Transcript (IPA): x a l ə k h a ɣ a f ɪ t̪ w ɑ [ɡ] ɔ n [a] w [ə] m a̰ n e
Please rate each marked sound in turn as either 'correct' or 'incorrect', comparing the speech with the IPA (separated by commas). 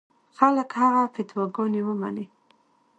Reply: correct, incorrect, correct